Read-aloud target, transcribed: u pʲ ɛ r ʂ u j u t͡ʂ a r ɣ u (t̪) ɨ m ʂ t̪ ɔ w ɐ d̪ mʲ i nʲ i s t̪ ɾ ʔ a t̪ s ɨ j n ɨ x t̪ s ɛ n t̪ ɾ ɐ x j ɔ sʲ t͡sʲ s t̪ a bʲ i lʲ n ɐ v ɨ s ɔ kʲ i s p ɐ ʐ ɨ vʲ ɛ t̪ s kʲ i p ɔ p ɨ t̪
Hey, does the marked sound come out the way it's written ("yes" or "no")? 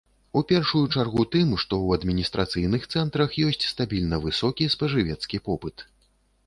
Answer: yes